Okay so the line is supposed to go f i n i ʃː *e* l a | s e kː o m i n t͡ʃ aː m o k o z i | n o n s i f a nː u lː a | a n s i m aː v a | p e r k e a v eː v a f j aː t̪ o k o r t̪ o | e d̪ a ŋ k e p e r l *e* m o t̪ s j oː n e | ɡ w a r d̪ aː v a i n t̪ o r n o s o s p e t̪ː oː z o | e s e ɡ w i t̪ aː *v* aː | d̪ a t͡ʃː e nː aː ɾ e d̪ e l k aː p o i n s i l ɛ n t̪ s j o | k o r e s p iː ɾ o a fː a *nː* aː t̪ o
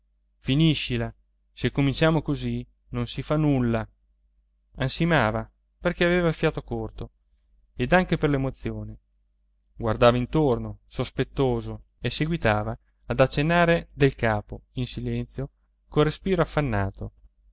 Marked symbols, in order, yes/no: no, yes, yes, yes

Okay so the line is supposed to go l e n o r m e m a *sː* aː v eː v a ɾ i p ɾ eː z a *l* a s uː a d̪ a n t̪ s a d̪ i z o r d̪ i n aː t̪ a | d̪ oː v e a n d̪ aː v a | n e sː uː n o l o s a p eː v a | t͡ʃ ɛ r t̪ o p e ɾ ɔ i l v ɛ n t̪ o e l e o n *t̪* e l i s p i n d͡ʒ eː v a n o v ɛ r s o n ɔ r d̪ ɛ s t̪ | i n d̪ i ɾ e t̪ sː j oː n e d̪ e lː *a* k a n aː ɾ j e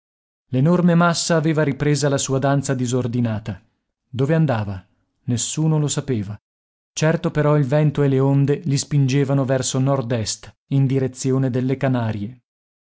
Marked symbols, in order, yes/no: yes, yes, no, no

